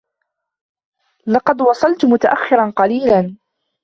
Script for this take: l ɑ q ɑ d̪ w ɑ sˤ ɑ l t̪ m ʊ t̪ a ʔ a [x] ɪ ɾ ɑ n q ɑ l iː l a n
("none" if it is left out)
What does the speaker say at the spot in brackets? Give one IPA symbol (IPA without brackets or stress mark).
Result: xː